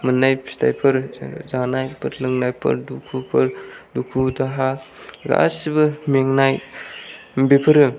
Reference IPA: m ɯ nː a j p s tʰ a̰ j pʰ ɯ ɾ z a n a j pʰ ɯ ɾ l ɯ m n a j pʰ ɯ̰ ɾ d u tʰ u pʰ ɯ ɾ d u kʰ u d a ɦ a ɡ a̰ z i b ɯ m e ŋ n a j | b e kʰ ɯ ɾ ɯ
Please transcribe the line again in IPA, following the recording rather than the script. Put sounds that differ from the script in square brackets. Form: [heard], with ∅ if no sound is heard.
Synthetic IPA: m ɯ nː a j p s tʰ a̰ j pʰ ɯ ɾ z a n a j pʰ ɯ ɾ l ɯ [ŋ] n a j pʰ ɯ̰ ɾ d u [kʰ] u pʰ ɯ ɾ d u kʰ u d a ɦ a ɡ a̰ [s] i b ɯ m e ŋ n a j | b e [pʰ] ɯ ɾ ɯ